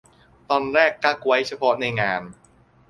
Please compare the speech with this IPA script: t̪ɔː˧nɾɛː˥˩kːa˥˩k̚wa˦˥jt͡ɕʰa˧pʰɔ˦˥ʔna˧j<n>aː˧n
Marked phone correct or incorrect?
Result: incorrect